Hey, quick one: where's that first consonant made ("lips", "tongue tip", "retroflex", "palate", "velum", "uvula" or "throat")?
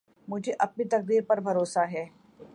lips